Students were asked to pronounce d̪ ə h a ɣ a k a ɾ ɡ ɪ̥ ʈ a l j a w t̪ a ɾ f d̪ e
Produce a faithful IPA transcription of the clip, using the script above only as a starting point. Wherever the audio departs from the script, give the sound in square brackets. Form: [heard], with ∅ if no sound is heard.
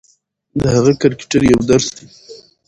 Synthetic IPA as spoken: d̪ ə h a ɣ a k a ɾ [k] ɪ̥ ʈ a [ɾ] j a w [d̪] a ɾ [s] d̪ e